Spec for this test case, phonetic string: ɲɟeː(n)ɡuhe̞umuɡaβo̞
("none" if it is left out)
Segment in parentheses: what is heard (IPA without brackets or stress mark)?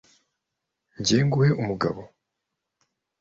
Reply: ŋ